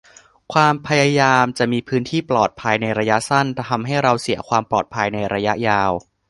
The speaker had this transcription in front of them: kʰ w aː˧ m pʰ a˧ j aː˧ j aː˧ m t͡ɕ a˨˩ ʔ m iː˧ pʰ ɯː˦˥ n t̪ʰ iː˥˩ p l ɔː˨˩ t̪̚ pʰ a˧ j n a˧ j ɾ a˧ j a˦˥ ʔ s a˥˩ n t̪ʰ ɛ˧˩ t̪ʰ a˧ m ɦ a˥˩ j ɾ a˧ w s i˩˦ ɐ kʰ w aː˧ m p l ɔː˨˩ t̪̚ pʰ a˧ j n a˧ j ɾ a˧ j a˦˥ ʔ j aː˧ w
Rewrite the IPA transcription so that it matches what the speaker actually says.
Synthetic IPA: kʰ w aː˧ m pʰ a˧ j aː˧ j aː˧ m t͡ɕ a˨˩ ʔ m iː˧ pʰ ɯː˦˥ n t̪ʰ iː˥˩ p l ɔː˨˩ t̪̚ pʰ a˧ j n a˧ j ɾ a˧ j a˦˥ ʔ s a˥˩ n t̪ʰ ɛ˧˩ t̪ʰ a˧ m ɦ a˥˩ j ɾ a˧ w s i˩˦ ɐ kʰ w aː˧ m p l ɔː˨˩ t̪̚ pʰ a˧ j n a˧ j ɾ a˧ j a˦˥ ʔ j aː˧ w